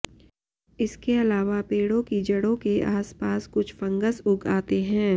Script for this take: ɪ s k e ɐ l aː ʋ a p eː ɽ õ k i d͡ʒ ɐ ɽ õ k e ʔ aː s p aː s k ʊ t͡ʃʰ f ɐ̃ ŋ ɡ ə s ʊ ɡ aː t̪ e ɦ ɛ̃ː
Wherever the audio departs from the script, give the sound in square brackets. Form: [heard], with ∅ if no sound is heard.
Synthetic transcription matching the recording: ɪ s k e ɐ l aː ʋ a p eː ɽ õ k i d͡ʒ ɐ ɽ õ k e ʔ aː s p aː s k ʊ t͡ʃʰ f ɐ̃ ŋ ɡ ə s ʊ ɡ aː t̪ e ɦ ɛ̃ː